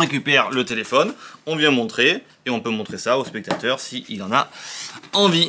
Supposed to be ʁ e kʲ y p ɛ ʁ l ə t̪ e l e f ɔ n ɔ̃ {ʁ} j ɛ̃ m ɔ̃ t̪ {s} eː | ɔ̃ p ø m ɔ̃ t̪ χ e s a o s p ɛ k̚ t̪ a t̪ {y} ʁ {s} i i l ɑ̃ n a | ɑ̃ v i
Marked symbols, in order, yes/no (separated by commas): no, no, no, yes